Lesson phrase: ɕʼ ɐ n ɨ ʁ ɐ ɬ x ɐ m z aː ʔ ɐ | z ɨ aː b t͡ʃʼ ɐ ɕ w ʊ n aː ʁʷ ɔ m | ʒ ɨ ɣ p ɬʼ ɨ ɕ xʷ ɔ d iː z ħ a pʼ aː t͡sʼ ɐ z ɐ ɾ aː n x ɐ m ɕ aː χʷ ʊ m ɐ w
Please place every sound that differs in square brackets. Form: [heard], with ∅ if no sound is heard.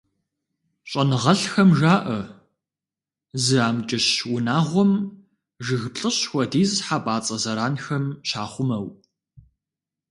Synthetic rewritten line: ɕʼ ɐ n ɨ ʁ ɐ ɬ x ɐ m [ʒ] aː ʔ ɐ | z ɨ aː [m] t͡ʃʼ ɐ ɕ w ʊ n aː ʁʷ ɔ m | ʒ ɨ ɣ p ɬʼ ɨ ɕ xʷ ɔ d iː z ħ a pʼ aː t͡sʼ ɐ z ɐ ɾ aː n x ɐ m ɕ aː χʷ ʊ m ɐ w